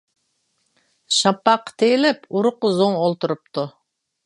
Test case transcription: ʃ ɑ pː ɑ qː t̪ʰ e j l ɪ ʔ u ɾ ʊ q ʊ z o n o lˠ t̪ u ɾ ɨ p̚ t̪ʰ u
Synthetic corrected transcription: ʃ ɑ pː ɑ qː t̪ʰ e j l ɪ p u ɾ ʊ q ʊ z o ŋ o lˠ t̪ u ɾ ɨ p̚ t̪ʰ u